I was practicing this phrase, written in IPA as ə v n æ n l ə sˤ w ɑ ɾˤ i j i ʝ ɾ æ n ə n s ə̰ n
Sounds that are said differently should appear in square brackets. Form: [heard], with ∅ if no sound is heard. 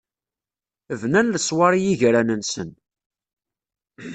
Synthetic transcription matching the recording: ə v n æ n l ə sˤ w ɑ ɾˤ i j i ʝ ɾ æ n ə n s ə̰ n